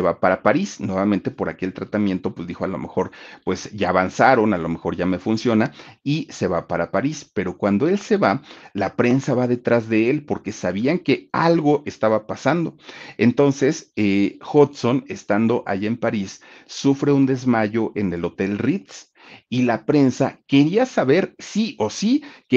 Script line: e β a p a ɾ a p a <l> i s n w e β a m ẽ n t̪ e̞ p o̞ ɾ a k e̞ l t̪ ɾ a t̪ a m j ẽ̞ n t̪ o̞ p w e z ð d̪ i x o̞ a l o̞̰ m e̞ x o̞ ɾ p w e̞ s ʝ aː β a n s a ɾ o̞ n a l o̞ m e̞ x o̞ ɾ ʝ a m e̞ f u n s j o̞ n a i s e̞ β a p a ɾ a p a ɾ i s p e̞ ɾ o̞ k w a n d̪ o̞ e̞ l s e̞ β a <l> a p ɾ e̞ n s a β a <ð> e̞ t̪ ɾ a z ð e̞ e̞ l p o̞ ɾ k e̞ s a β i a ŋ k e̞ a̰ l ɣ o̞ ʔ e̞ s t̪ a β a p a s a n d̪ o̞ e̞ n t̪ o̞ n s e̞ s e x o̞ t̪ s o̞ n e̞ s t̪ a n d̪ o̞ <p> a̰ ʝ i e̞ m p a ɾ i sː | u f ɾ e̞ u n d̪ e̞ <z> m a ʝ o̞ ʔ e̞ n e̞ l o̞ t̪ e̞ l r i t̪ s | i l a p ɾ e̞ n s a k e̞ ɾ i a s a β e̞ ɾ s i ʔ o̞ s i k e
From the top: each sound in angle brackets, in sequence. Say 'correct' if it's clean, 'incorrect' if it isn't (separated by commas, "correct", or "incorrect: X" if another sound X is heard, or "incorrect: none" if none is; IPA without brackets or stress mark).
incorrect: ɾ, correct, correct, incorrect: ʔ, correct